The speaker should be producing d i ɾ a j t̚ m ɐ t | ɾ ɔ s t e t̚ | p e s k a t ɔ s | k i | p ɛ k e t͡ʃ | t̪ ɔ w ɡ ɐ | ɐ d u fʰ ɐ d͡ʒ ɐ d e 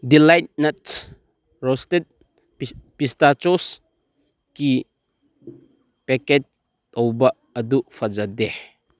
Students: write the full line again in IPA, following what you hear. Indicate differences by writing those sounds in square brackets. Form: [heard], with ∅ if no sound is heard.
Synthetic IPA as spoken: d i [l] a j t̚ [n] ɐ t | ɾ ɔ s t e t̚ | p [i] s [t] a [t͡ʃ] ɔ s | k i | p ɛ k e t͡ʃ | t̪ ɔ w [b] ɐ | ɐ d u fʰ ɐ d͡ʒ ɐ d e